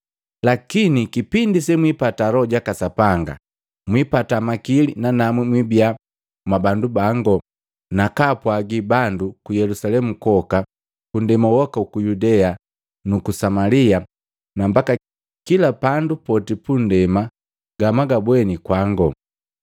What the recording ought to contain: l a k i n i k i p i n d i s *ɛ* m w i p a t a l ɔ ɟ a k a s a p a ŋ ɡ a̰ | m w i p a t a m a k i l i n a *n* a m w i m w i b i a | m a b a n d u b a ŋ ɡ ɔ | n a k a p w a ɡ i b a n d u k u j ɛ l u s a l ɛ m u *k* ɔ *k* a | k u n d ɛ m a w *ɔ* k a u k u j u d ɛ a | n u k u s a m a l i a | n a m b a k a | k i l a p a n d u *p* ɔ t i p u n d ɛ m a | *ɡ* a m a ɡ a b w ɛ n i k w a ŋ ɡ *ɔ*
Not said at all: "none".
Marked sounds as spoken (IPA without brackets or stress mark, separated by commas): ɛ, n, k, k, ɔ, p, ɡ, ɔ